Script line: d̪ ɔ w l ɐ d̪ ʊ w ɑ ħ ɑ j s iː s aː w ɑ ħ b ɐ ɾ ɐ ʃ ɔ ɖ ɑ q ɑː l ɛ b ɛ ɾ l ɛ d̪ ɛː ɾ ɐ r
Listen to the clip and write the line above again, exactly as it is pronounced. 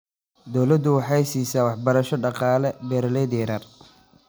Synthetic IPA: d̪ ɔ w l ɐ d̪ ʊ w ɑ ħ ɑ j s iː s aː w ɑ ħ b ɐ ɾ ɐ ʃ ɔ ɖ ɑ q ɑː l ɛ b ɛ ɾ l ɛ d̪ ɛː ɾ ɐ r